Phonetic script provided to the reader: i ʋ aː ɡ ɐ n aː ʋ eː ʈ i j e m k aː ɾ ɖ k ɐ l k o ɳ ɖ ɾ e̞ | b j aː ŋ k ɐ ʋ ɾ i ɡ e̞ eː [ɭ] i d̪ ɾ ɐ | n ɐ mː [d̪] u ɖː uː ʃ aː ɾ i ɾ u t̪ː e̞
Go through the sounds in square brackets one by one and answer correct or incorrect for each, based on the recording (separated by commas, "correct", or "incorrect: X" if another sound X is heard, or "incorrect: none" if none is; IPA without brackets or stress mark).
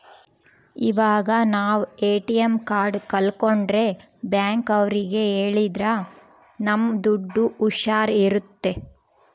correct, correct